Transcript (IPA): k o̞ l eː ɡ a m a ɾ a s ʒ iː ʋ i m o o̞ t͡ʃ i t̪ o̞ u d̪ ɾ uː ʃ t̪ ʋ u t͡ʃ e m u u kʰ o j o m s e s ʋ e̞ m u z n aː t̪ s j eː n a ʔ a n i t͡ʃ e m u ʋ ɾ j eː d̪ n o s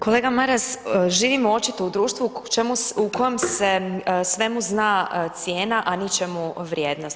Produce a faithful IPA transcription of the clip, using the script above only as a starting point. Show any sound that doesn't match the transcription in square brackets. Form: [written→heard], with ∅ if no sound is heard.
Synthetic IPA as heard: k o̞ l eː ɡ a m a ɾ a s ʒ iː ʋ i m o o̞ t͡ʃ i t̪ o̞ u d̪ ɾ uː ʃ t̪ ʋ u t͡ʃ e m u u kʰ o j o m s e s ʋ e̞ m u z n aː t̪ s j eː n a ʔ a n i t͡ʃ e m u ʋ ɾ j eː d̪ n o s